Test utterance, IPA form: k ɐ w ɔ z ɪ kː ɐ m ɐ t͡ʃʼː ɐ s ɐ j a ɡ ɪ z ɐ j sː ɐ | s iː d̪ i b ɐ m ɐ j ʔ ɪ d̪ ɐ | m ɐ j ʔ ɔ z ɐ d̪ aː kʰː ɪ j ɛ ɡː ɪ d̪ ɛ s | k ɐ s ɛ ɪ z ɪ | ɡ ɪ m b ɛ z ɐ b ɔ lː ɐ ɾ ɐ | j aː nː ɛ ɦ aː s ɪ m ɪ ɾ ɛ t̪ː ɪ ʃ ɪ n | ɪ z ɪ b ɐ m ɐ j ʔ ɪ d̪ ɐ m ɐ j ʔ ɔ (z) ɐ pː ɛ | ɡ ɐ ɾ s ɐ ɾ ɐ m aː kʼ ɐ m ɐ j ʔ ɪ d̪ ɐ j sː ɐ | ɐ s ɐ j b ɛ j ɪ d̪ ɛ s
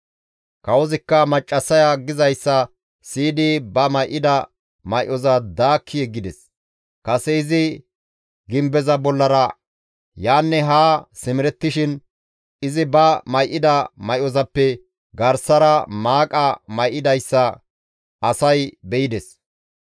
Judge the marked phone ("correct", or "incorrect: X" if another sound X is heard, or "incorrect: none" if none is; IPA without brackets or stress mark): correct